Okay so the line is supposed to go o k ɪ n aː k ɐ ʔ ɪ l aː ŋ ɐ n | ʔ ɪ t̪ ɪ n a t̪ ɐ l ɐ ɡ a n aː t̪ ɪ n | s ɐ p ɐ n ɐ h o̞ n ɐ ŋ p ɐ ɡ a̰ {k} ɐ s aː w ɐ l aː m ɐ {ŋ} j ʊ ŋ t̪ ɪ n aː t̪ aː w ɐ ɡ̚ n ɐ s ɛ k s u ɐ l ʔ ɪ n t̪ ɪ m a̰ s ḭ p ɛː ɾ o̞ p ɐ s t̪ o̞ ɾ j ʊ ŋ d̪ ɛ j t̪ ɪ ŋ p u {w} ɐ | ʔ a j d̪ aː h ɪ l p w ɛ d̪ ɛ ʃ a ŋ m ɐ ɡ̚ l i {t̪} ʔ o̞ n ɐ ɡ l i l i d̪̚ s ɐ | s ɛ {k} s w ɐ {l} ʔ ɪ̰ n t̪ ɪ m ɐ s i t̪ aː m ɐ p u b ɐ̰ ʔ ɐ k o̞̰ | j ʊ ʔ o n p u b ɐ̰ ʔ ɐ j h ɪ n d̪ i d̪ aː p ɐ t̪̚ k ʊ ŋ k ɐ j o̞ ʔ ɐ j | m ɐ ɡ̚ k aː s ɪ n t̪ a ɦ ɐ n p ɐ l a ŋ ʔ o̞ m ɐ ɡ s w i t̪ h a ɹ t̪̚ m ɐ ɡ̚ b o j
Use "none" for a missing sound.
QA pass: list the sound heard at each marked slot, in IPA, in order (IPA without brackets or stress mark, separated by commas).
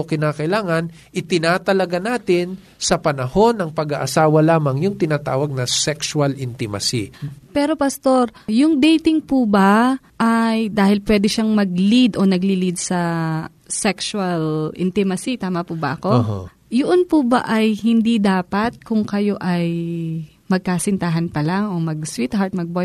ʔ, ŋ, b, d̪, k, l